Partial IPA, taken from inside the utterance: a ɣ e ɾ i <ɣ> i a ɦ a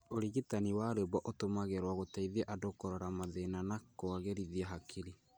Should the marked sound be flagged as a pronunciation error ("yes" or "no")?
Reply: yes